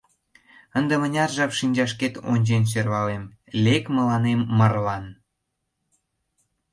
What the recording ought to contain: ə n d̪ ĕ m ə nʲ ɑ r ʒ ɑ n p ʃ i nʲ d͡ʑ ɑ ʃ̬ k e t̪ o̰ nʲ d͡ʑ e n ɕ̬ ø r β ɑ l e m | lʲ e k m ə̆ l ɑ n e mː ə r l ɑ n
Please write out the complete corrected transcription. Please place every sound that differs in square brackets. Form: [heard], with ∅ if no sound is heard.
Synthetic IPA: ə n d̪ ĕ m ə nʲ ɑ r ʒ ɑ [∅] p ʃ i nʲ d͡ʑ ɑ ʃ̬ k e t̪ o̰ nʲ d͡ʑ e n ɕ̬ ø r β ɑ l e m | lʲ e k m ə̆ l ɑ n e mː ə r l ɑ n